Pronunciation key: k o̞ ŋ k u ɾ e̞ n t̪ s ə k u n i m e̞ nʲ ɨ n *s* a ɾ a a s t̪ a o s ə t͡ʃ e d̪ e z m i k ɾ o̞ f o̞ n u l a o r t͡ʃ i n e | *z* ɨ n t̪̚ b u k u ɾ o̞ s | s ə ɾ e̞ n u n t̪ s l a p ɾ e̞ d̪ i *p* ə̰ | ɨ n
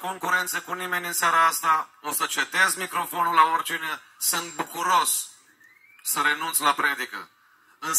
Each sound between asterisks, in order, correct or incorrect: correct, incorrect: s, incorrect: k

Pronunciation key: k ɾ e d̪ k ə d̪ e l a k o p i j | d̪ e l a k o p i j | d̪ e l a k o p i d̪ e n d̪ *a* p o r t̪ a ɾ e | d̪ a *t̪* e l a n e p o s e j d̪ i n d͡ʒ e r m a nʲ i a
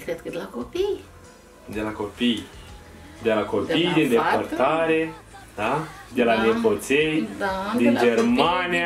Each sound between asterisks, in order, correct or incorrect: incorrect: e, incorrect: d̪

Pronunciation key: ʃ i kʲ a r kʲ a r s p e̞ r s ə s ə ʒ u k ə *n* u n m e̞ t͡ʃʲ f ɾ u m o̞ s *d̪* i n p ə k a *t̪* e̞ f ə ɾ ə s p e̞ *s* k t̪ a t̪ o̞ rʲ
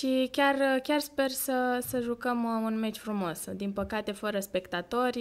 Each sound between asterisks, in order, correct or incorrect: incorrect: m, correct, correct, incorrect: none

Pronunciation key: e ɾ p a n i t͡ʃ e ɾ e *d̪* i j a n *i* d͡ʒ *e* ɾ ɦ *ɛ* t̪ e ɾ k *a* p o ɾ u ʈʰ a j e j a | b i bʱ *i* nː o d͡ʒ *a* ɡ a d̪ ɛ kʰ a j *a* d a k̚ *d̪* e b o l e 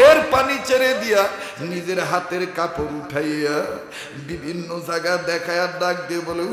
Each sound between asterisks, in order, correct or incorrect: correct, correct, correct, incorrect: a, correct, correct, correct, correct, correct

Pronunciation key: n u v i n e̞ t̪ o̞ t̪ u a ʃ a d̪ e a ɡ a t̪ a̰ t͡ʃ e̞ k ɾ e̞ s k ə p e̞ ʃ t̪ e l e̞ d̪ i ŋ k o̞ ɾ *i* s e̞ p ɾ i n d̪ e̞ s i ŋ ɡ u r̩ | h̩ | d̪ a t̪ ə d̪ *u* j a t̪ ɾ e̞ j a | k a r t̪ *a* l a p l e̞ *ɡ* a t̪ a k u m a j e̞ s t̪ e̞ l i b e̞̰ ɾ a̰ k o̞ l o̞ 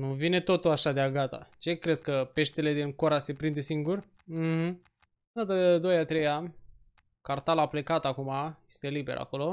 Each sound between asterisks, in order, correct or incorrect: incorrect: a, incorrect: o, correct, incorrect: k

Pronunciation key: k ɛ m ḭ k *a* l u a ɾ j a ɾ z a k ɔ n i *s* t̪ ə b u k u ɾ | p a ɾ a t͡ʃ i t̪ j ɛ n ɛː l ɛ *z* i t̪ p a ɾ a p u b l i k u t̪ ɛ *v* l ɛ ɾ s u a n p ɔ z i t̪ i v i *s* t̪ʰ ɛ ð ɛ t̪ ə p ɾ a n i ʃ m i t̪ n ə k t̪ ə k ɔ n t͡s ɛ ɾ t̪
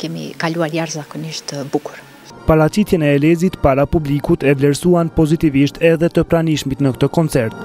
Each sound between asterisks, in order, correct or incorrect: correct, incorrect: ʃ, correct, correct, incorrect: ʃ

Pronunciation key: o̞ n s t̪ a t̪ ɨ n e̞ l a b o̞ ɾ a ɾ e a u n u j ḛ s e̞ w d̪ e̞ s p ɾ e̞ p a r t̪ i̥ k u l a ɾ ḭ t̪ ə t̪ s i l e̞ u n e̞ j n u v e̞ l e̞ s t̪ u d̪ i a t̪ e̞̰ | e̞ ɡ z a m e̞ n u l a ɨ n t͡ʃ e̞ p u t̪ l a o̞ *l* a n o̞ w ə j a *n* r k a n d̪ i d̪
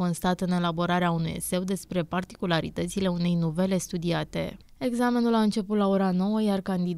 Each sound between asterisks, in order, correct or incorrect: incorrect: ɾ, incorrect: none

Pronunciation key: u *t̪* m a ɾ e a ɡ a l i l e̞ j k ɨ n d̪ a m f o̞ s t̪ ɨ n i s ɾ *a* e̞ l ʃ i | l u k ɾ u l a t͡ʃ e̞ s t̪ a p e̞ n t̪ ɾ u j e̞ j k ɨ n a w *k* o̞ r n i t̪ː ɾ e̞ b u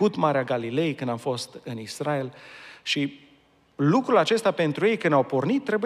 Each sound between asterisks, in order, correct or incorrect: correct, correct, incorrect: p

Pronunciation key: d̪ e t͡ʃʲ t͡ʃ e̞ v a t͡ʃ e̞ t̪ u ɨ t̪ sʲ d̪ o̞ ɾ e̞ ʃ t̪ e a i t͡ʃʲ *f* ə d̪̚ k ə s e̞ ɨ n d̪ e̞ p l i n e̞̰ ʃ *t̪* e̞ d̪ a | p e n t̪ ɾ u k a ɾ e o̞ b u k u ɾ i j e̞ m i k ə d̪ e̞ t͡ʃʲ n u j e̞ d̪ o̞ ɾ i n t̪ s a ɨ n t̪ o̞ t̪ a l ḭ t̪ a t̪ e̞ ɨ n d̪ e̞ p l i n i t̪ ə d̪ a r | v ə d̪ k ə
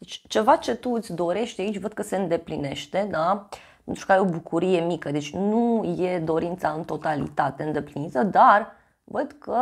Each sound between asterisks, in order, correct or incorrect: incorrect: v, correct

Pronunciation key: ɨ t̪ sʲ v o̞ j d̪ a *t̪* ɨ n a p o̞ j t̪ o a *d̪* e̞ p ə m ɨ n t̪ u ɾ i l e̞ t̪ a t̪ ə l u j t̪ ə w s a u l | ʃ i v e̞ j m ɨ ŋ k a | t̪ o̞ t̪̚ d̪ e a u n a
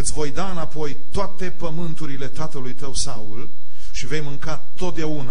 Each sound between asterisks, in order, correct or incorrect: incorrect: none, incorrect: t̪

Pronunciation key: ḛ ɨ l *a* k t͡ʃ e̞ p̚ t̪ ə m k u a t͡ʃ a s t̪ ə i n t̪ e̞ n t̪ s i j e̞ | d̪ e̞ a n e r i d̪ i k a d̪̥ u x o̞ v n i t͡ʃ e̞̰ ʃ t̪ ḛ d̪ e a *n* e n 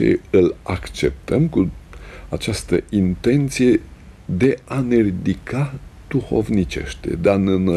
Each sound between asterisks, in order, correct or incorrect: correct, correct

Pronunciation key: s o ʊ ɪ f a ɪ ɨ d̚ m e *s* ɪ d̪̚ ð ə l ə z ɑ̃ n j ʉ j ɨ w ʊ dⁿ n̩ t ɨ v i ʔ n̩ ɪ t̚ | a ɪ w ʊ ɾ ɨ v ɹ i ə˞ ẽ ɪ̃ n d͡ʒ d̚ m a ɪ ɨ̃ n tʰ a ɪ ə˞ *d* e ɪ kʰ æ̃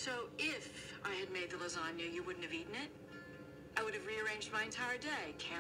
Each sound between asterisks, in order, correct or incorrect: incorrect: none, correct

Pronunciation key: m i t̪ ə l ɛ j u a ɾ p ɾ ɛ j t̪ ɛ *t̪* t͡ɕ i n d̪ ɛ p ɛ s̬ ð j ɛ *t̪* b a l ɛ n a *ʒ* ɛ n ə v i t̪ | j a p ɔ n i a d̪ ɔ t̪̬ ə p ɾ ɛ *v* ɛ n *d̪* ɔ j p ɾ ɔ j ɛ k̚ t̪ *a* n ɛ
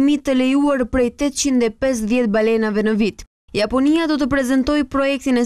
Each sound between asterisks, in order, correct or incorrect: correct, correct, incorrect: v, incorrect: z, incorrect: t̪, incorrect: i

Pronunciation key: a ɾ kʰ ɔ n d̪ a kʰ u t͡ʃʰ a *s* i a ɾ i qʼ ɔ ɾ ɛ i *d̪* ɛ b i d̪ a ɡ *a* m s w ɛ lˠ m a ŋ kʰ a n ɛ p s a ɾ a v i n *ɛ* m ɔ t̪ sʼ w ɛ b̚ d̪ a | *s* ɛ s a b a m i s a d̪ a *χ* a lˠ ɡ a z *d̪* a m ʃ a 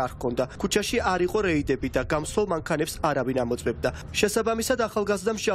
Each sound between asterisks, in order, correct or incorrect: incorrect: ʃ, correct, correct, incorrect: a, incorrect: ʃ, correct, correct

